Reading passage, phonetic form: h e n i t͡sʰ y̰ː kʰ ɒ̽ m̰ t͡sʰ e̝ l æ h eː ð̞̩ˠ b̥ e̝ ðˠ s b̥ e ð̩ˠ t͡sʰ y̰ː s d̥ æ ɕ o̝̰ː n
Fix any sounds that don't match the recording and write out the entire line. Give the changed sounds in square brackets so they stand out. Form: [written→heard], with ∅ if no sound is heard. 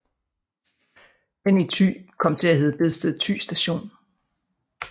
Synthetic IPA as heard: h e n i t͡sʰ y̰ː kʰ ɒ̽ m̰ t͡sʰ e̝ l æ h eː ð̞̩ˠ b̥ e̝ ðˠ s [b̥→d̥] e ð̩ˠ t͡sʰ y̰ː s d̥ æ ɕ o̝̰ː n